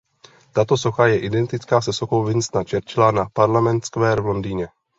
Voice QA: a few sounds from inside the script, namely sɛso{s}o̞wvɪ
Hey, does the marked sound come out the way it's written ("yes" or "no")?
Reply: no